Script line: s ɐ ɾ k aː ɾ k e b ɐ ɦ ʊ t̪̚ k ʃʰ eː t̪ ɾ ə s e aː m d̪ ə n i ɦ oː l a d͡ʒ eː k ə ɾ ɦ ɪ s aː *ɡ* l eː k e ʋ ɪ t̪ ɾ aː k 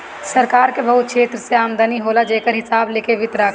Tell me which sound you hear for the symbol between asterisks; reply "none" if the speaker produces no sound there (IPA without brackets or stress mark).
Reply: b